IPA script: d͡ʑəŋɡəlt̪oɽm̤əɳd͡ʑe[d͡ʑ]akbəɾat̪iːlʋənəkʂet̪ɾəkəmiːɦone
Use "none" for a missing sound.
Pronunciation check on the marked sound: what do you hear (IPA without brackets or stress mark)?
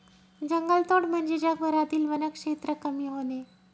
d͡ʑ